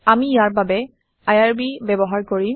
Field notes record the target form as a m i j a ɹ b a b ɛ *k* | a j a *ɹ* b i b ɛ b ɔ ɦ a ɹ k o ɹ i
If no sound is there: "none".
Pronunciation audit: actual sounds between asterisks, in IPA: none, ɹ

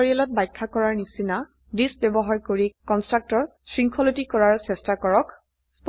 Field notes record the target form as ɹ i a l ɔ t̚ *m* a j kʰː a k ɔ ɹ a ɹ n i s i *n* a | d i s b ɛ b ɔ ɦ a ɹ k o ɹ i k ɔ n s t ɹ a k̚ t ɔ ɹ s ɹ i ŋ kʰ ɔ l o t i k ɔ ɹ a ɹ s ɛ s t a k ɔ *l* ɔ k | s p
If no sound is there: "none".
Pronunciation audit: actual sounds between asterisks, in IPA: b, n, ɹ

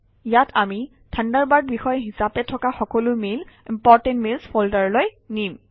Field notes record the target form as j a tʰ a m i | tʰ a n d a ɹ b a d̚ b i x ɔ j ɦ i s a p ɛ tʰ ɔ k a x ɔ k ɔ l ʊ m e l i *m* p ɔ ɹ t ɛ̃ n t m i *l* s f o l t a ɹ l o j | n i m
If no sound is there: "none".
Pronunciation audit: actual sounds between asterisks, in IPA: m, l

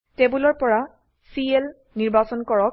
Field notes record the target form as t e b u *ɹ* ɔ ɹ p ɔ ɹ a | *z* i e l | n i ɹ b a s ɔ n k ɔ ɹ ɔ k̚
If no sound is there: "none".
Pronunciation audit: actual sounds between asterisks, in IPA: l, s

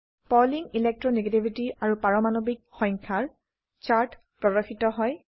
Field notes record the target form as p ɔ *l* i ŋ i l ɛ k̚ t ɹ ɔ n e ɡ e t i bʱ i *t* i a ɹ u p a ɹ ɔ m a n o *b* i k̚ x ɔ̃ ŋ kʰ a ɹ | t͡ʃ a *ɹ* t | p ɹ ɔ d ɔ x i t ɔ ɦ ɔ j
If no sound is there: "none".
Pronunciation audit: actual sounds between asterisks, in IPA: l, t, b, ɹ

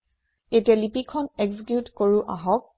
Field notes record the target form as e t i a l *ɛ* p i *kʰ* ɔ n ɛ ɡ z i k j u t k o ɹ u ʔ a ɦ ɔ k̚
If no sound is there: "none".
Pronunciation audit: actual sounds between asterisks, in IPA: i, kʰ

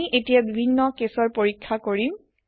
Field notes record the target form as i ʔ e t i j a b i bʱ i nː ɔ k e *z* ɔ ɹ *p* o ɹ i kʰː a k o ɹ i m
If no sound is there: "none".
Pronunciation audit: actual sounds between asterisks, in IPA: s, p

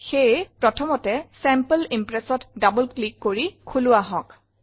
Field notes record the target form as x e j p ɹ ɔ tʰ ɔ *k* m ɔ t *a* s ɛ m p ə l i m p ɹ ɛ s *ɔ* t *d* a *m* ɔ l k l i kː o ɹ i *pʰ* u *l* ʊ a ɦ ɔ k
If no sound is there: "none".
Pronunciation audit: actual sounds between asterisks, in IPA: none, ɛ, ɔ, d, b, kʰ, l

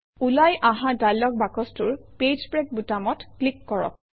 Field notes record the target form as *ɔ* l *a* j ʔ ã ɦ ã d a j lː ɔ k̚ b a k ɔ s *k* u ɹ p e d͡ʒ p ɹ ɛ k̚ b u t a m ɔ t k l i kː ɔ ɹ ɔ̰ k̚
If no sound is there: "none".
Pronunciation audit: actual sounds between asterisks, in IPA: u, a, t

